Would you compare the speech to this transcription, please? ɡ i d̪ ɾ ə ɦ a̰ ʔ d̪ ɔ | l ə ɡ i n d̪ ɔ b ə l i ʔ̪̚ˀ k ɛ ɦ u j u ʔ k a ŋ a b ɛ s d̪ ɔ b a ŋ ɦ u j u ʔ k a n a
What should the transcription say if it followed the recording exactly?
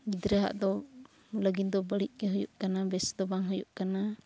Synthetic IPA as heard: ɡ i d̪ ɾ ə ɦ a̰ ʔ d̪ ɔ | l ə ɡ i n d̪ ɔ b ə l i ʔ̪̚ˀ k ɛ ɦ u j u ʔ k a n a b ɛ s d̪ ɔ b a ŋ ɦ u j u ʔ k a n a